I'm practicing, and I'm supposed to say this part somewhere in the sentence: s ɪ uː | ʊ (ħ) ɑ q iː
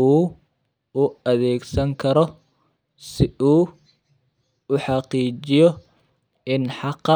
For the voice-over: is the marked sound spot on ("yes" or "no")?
yes